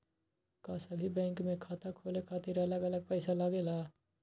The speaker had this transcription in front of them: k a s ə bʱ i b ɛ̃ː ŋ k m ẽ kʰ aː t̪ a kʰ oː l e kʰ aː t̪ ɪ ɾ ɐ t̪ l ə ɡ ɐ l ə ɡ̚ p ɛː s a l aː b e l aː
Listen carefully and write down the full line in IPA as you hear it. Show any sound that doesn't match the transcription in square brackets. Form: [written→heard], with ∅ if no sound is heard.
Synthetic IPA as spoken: k a s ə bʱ i b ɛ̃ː ŋ k m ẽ kʰ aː t̪ a kʰ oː l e kʰ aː t̪ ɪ ɾ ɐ [t̪→∅] l ə ɡ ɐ l ə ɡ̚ p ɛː s a l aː [b→ɡ] e l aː

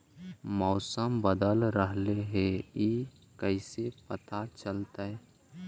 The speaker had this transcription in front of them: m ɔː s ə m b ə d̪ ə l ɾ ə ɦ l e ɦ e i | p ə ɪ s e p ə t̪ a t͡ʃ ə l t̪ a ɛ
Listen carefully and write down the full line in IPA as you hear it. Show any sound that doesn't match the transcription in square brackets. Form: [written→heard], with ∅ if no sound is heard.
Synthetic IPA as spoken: m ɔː s ə m b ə d̪ ə l ɾ ə ɦ l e ɦ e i | [p→k] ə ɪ s e p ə t̪ a t͡ʃ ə l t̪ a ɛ

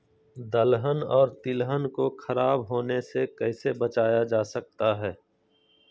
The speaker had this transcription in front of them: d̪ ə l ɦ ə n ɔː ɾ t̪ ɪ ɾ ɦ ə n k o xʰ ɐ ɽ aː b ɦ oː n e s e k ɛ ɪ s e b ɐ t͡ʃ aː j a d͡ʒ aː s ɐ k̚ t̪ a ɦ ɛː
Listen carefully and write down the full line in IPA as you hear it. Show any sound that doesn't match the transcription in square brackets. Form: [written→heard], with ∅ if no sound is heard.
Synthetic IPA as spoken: d̪ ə l ɦ ə n ɔː ɾ t̪ ɪ [ɾ→l] ɦ ə n k o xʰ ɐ [ɽ→ɾ] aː b ɦ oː n e s e k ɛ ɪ s e b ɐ t͡ʃ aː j a d͡ʒ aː s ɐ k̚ t̪ a ɦ ɛː

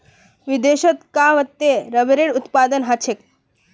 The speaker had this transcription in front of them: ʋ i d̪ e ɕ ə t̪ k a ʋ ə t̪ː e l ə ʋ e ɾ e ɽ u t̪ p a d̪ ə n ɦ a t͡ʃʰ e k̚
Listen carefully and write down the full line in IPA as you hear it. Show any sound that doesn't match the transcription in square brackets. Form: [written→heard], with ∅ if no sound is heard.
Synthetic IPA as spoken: ʋ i d̪ e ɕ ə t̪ k a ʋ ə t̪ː e [l→ɾ] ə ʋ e ɾ e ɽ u t̪ p a d̪ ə n ɦ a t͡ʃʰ e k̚

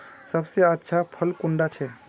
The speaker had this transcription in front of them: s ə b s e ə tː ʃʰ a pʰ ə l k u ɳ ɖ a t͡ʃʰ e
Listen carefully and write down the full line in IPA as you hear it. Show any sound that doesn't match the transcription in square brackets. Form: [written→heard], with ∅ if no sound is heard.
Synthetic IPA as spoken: s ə b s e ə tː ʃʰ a pʰ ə l k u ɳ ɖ a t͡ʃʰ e

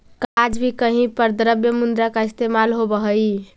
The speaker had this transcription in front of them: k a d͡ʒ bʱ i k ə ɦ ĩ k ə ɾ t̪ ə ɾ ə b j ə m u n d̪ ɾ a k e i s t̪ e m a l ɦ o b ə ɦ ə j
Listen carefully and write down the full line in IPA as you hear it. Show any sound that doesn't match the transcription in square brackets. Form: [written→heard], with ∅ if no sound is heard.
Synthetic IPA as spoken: k a d͡ʒ bʱ i k ə ɦ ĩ [k→p] ə ɾ [t̪→d̪] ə ɾ ə b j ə m u n d̪ ɾ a k [e→a] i s t̪ e m a l ɦ o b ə ɦ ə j

